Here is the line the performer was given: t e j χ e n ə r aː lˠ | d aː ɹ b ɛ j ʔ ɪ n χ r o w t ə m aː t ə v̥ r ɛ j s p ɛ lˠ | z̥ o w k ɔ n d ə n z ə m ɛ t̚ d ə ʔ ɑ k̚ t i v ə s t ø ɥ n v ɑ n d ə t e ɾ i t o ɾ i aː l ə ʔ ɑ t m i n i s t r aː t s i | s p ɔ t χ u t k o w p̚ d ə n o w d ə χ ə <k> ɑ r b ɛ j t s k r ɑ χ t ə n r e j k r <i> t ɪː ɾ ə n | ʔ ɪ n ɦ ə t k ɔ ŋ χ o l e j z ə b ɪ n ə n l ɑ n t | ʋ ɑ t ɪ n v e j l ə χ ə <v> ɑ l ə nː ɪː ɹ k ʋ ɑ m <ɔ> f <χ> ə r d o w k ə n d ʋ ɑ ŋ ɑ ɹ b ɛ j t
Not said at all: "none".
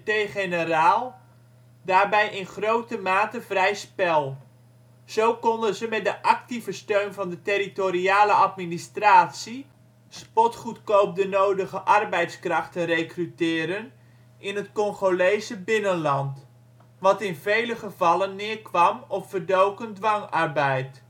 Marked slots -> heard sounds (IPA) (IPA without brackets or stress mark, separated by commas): ʔ, y, v, ɔ, f